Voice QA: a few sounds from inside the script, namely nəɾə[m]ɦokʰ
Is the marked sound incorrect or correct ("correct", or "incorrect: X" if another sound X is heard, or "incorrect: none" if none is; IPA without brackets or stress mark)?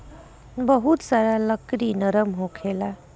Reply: correct